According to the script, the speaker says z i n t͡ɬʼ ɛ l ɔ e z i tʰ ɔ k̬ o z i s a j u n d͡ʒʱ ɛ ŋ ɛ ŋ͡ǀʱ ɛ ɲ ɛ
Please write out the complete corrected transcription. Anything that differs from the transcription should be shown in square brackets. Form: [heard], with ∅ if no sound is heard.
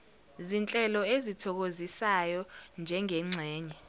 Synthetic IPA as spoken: z i n t͡ɬʼ ɛ l ɔ e z i tʰ ɔ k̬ o z i s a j [ɔ] n d͡ʒʱ ɛ ŋ ɛ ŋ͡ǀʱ [ɛː] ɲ ɛ